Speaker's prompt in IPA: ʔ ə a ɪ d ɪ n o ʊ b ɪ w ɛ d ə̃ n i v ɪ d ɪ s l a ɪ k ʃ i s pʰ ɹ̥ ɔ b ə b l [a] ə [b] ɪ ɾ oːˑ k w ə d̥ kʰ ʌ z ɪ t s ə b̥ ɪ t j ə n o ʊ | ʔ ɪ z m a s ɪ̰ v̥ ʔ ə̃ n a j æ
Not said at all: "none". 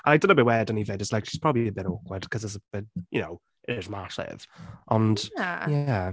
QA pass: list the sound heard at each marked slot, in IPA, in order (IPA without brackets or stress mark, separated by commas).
i, b